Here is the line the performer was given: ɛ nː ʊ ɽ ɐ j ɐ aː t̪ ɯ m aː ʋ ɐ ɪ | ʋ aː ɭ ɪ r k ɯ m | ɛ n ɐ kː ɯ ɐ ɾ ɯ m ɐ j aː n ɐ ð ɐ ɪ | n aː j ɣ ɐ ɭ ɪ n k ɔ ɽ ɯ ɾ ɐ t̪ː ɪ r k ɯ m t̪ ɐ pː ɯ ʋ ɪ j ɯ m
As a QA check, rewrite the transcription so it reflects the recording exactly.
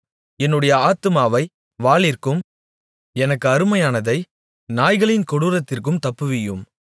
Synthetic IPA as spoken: ɛ nː ɯ ɽ ɐ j ɐ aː t̪ ɯ m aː ʋ ɐ ɪ | ʋ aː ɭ ɪ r k ɯ m | ɛ n ɐ kː ɯ ɐ ɾ ɯ m ɐ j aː n ɐ ð ɐ ɪ | n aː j ɣ ɐ ɭ ɪ n k ɔ ɽ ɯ ɾ ɐ t̪ː ɪ r k ɯ m t̪ ɐ pː ɯ ʋ ɪ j ɯ m